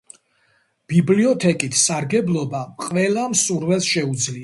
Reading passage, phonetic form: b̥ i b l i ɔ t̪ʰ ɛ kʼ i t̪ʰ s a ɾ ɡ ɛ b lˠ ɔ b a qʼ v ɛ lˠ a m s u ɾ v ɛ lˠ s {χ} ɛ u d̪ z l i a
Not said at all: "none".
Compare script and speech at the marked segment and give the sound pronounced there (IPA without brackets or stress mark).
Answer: ʃ